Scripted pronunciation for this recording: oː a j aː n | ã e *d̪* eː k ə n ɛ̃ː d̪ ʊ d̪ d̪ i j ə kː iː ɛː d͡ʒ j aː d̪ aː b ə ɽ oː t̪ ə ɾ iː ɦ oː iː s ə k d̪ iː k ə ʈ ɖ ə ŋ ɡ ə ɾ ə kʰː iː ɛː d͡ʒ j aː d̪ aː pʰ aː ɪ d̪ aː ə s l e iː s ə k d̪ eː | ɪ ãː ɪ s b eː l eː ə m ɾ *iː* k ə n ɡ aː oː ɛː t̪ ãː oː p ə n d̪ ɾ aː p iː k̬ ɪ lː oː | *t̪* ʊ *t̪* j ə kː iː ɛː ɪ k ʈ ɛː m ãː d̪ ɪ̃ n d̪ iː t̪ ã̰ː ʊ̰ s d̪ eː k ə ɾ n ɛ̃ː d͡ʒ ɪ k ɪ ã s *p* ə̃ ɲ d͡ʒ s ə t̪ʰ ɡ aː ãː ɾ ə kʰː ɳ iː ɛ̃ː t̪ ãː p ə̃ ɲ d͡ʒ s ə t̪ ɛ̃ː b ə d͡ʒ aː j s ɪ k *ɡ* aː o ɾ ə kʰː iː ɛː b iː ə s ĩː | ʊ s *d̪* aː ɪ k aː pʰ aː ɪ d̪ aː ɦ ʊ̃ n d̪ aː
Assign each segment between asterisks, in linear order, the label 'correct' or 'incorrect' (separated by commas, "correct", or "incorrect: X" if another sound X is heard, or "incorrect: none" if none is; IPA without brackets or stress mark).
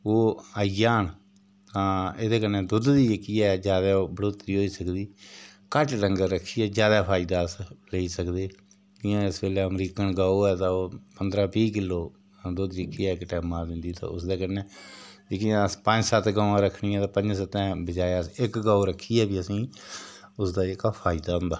correct, correct, incorrect: d̪, incorrect: d̪, correct, correct, correct